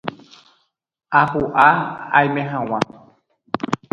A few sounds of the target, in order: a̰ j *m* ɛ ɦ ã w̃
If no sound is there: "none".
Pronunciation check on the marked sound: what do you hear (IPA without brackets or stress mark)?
m